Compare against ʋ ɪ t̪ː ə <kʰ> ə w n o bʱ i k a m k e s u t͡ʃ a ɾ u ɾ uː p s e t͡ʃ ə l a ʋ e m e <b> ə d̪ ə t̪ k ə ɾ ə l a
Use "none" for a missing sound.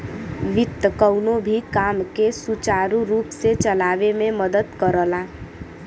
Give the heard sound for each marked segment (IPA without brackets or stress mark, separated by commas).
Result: k, m